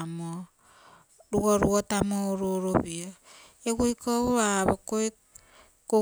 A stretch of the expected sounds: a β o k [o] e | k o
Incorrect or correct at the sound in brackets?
correct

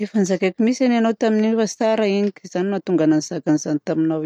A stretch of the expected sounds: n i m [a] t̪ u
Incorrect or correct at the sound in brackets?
correct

